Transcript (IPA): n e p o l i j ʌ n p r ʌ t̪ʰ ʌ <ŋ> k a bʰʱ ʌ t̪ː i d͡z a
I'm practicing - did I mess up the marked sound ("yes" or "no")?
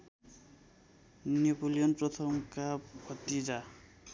yes